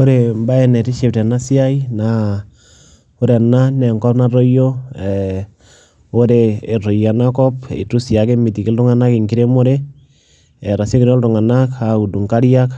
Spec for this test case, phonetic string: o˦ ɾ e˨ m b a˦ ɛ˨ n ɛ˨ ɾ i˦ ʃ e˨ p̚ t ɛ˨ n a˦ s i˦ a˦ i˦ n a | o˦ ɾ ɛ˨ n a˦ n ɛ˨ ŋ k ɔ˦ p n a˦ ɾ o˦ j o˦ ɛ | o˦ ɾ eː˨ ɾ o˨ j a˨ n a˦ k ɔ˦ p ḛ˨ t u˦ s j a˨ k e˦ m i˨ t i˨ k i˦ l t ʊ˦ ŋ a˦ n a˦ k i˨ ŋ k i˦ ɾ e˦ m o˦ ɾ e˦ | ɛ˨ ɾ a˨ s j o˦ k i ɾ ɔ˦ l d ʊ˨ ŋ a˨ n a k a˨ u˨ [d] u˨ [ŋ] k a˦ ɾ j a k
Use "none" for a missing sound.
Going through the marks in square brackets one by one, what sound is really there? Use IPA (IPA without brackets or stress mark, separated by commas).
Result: d, ŋ